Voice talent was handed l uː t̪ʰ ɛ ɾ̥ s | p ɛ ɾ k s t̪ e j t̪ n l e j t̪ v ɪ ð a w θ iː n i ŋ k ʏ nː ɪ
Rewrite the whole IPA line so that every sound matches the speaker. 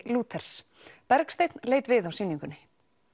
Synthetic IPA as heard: l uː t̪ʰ ɛ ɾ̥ s | p ɛ ɾ k s t̪ e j t̪ n l e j t̪ v ɪ ð a w s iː n i ŋ k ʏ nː ɪ